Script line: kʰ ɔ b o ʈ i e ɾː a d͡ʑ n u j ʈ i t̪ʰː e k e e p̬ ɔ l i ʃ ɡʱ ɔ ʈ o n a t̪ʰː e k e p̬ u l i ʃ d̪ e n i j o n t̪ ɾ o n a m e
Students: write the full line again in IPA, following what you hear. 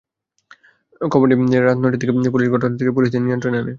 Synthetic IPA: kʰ ɔ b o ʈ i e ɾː a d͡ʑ n o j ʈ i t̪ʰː e k e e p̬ u l i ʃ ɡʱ ɔ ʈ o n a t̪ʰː e k e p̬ u l i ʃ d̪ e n i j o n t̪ ɾ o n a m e